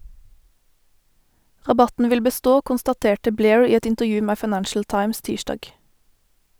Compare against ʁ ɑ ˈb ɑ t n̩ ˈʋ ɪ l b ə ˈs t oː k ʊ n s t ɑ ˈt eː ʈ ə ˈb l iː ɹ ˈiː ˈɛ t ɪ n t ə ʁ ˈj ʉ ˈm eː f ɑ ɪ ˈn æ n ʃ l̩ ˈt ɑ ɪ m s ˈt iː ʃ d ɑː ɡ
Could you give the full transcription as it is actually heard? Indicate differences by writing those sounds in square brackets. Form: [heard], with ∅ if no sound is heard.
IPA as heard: ʁ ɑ ˈb ɑ t n̩ ˈʋ ɪ l b ə ˈs t oː k ʊ n s t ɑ ˈt eː ʈ ə ˈb l [eː] ɹ ˈiː ˈɛ t ɪ n t ə ʁ ˈj [ʉː] ˈm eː f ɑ ɪ ˈn æ n ʃ l̩ ˈt ɑ ɪ m s ˈt iː ʃ d ɑː ɡ